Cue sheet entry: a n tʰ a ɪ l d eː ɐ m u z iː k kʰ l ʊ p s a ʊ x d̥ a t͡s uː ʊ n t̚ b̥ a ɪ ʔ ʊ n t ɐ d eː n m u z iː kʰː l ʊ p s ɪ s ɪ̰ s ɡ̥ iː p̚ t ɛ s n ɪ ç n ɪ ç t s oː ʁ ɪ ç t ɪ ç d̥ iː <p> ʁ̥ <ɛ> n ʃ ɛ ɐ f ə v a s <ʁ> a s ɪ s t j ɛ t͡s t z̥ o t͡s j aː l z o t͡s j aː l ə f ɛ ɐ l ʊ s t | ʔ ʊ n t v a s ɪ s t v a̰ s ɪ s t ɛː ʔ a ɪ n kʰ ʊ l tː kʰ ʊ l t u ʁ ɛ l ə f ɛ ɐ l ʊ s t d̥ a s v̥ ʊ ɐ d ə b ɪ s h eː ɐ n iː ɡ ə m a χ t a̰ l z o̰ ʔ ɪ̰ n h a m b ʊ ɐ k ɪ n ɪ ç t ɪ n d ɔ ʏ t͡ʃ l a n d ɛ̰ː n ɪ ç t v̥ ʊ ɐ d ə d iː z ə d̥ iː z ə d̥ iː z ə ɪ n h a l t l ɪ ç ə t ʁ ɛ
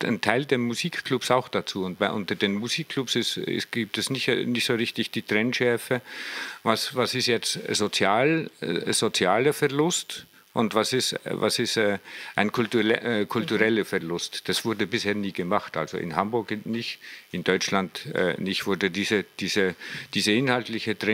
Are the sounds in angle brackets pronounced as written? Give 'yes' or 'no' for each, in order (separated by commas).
no, yes, no